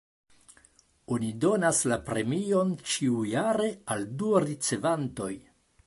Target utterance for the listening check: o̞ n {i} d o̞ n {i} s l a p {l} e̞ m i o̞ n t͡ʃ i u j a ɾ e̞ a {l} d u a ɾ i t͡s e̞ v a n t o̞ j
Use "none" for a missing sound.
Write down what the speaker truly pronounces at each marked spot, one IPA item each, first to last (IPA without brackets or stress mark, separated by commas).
i, a, ɾ, l